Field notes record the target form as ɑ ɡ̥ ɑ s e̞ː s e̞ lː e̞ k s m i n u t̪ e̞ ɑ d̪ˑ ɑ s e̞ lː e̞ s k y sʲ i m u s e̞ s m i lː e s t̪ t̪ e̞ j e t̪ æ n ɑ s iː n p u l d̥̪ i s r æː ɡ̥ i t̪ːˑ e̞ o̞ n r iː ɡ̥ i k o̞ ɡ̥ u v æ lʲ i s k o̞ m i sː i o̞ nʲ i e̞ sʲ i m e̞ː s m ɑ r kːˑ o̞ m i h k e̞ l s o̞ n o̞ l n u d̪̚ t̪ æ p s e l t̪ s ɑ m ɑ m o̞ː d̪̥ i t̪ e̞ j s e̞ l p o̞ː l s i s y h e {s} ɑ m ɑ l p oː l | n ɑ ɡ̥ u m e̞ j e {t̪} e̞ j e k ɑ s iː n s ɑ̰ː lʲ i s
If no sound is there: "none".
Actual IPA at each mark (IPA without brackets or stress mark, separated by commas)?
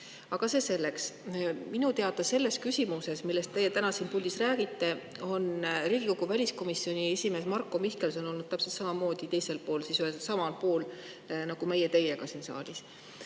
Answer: s, t̪